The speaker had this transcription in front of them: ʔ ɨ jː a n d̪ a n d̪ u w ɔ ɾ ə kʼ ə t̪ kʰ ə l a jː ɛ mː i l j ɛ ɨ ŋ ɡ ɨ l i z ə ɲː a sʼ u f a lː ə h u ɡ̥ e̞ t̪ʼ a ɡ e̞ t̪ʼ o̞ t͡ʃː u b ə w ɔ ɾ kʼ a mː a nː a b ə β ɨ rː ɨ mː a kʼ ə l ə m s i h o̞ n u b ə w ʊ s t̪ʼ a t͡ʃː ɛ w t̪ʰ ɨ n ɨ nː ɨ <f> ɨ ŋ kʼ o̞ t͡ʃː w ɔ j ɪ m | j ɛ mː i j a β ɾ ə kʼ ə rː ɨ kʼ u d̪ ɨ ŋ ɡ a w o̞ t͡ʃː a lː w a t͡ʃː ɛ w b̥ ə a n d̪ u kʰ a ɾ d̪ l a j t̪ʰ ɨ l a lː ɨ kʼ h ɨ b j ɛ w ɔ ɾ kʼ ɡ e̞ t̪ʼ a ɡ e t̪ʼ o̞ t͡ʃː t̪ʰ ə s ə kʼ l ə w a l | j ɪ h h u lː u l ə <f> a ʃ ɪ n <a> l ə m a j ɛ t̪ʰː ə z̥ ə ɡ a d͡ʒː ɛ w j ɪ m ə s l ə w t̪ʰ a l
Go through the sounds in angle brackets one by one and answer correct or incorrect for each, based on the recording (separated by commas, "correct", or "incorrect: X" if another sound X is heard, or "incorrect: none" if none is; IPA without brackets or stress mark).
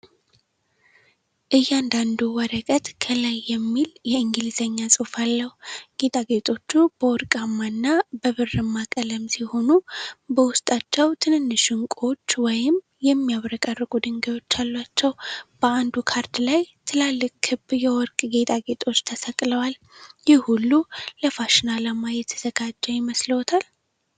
incorrect: ʃ, correct, correct